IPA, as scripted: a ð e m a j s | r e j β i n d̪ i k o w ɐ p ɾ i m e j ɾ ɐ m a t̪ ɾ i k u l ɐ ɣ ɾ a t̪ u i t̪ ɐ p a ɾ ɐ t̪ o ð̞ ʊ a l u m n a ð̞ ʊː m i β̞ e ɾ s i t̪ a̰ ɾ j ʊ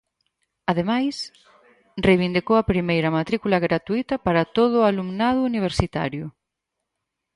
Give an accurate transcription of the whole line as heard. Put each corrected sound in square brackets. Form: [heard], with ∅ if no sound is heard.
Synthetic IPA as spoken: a ð e m a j s | r e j β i n d̪ i k o w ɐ p ɾ i m e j ɾ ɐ m a t̪ ɾ i k u l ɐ ɣ ɾ a t̪ u i t̪ ɐ p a ɾ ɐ t̪ o ð̞ ʊ a l u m n a ð̞ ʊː [n] i β̞ e ɾ s i t̪ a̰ ɾ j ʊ